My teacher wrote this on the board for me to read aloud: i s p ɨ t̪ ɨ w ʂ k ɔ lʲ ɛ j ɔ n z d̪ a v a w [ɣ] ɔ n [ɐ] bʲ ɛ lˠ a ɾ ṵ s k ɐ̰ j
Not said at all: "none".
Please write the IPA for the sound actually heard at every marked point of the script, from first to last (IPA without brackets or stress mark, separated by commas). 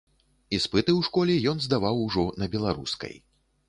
ʐ, ɐ